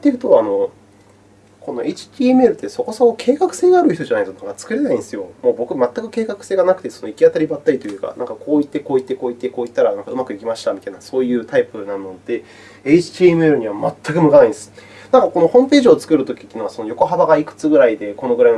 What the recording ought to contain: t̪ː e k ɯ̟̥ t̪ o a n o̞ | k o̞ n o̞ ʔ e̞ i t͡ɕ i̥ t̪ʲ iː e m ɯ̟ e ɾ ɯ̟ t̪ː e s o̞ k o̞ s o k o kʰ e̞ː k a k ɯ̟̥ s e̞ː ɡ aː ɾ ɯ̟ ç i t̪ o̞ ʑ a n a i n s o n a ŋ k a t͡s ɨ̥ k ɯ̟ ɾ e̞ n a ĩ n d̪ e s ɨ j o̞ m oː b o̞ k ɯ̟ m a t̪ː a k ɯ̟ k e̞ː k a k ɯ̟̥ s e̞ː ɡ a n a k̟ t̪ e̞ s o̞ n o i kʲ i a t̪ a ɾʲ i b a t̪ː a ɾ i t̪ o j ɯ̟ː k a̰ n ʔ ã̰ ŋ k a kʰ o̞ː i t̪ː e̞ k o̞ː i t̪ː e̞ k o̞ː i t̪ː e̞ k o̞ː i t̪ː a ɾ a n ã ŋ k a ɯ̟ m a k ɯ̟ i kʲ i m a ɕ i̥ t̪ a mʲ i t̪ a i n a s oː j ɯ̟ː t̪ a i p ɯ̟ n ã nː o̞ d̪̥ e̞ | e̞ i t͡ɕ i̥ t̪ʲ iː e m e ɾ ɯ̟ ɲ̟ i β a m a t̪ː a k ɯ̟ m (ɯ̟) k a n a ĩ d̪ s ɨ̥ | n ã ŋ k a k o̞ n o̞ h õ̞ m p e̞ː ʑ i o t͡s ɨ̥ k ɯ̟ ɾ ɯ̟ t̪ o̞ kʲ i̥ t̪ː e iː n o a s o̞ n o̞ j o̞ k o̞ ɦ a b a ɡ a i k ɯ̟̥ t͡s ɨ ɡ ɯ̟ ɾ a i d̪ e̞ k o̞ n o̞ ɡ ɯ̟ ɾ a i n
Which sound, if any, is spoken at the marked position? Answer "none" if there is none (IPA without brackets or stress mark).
ɯ̟